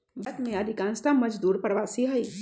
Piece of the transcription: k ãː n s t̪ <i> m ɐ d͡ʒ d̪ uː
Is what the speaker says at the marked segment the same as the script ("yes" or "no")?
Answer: no